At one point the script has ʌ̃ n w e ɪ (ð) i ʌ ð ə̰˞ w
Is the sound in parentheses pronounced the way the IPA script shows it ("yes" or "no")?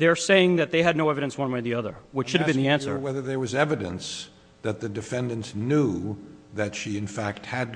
yes